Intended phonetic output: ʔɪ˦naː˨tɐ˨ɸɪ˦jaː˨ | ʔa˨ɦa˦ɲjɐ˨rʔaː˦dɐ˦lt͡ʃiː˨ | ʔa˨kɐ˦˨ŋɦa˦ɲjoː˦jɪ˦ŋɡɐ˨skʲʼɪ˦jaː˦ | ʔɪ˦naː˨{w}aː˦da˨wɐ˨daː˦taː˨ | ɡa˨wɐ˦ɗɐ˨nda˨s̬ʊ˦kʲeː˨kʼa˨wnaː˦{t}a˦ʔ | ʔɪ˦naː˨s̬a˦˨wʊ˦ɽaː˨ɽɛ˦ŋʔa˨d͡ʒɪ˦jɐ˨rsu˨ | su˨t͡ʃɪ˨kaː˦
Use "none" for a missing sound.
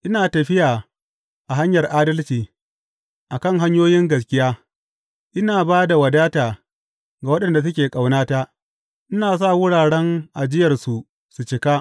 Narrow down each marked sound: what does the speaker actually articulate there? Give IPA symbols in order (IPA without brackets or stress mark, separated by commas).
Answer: b, t